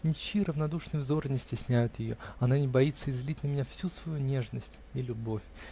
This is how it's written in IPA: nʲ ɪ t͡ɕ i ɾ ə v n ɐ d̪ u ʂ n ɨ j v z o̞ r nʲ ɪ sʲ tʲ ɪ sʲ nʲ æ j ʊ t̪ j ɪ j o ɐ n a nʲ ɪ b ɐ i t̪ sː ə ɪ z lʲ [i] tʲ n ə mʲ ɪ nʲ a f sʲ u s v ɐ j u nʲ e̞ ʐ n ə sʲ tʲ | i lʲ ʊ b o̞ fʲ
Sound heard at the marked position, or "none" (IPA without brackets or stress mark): i